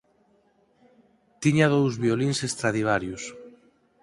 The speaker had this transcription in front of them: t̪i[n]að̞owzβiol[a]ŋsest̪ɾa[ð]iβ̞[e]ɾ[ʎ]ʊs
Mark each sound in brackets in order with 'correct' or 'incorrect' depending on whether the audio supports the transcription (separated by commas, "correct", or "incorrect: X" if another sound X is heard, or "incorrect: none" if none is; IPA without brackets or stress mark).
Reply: incorrect: ɲ, incorrect: i, correct, incorrect: a, incorrect: j